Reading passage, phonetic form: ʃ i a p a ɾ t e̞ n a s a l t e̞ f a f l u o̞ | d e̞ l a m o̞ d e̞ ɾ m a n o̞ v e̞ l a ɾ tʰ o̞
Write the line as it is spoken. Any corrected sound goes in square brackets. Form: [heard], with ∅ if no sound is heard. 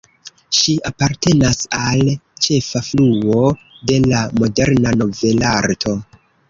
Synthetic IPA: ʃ i a p a ɾ t e̞ n a s a l [t͡ʃ] e̞ f a f l u o̞ | d e̞ l a m o̞ d e̞ ɾ [n] a n o̞ v e̞ l a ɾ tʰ o̞

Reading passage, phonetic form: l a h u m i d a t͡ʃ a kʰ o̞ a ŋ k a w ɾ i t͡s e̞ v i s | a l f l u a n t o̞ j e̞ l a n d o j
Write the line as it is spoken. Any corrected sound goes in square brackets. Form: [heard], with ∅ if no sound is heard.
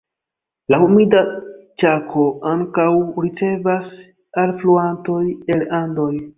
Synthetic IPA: l a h u m i d a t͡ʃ a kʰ o̞ a ŋ k a w ɾ i t͡s e̞ v [a] s | a l f l u a n t o̞ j e̞ l a n d o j

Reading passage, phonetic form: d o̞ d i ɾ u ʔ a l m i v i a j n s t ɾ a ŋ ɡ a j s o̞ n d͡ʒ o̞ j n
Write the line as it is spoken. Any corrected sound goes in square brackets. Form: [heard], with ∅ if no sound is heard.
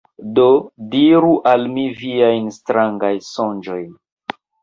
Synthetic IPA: d o̞ d i ɾ u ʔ a l m i v i a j n s t ɾ a ŋ ɡ a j s o̞ n d͡ʒ o̞ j n

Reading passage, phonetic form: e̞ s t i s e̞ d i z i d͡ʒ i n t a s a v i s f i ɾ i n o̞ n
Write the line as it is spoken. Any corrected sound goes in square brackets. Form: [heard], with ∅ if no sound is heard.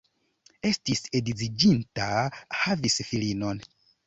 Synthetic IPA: e̞ s t i s e̞ d i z i d͡ʒ i n t a [h] a v i s f i [l] i n o̞ n

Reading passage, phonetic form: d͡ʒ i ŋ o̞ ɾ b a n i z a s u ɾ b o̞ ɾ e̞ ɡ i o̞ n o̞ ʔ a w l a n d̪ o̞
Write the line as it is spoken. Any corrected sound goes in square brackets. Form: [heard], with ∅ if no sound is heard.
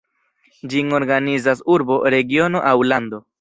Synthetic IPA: d͡ʒ i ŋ o̞ ɾ [ɡ] a n i z a s u ɾ b o̞ ɾ e̞ ɡ i o̞ n o̞ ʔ a w l a n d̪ o̞

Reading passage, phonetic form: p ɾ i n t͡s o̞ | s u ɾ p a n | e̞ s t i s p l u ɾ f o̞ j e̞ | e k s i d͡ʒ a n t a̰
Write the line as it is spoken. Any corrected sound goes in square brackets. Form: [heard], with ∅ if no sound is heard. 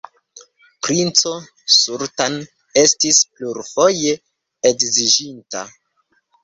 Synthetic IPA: p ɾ i n t͡s o̞ | s u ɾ [t] a n | e̞ s t i s p l u ɾ f o̞ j e̞ | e k [z] i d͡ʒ [i] n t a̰

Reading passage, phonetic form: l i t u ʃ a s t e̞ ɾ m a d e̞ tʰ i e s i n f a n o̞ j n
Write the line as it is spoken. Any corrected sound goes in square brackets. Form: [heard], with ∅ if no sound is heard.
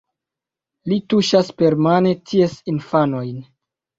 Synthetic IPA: l i t u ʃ a s [p] e̞ ɾ m a [n] e̞ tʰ i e s i n f a n o̞ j n

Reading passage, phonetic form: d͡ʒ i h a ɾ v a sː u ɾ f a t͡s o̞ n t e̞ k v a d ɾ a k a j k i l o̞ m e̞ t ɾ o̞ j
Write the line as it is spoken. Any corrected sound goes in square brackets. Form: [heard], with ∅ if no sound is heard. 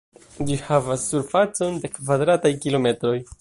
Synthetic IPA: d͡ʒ i h a [∅] v a sː u ɾ f a t͡s o̞ n [d] e̞ k v a d ɾ a [t] a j k i l o̞ m e̞ t ɾ o̞ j

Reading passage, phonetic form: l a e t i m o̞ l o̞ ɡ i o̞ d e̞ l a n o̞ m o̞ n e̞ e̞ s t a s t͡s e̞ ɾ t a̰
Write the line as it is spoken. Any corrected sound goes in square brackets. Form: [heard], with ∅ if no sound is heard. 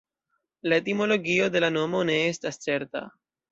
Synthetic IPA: l a e t i m o̞ l o̞ ɡ i o̞ d e̞ l a n o̞ m o̞ n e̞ e̞ s t a s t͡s e̞ ɾ t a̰

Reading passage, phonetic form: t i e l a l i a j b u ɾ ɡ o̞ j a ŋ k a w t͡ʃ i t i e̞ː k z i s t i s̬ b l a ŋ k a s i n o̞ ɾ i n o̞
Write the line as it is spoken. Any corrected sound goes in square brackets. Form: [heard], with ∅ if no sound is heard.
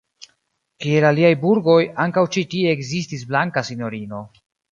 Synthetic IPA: [k] i e l a l i a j b u ɾ ɡ o̞ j a ŋ k a w t͡ʃ i t i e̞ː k z i s t i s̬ b l a ŋ k a s i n o̞ ɾ i n o̞

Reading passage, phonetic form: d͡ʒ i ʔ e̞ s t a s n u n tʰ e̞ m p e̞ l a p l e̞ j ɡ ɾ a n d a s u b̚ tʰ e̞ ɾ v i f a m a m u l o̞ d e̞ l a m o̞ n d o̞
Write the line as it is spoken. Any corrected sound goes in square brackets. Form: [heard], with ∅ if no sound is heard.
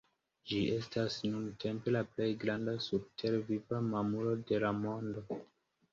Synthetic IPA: d͡ʒ i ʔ e̞ s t a s n u n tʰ e̞ m p e̞ l a p l e̞ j ɡ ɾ a n d a s u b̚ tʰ e̞ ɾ v i [v] a m a m u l o̞ d e̞ l a m o̞ n d o̞

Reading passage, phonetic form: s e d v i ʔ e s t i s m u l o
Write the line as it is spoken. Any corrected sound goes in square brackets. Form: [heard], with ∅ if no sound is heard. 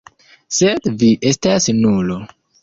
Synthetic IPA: s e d v i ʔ e s t [a] s [n] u l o

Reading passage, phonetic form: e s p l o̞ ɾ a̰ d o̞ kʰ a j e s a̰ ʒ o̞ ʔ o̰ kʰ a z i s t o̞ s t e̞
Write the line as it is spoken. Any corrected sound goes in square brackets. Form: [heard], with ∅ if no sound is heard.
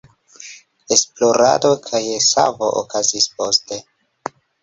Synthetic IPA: e s p l o̞ ɾ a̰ d o̞ kʰ a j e s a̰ [v] o̞ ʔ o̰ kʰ a z i s [p] o̞ s t e̞

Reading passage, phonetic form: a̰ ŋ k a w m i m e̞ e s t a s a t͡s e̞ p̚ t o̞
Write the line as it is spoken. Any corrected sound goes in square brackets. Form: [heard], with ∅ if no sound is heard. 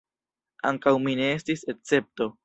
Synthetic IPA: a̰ ŋ k a w m i [n] e̞ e s t [i] s [e] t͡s e̞ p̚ t o̞

